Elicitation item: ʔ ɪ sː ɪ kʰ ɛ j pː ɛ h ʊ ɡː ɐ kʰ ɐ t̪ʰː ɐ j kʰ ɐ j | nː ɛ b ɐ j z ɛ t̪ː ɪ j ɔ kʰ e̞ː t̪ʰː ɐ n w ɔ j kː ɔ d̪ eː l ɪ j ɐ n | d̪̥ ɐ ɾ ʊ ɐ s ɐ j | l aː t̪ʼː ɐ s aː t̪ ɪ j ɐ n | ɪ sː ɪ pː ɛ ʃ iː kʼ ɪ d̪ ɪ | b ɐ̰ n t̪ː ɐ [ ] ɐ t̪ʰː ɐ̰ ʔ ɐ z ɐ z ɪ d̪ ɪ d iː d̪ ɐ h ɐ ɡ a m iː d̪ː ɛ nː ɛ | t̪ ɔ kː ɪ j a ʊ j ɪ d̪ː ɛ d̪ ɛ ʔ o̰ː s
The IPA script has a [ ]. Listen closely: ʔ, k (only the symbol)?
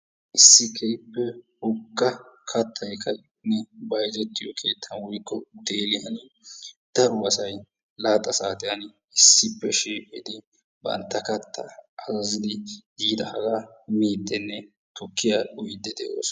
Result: k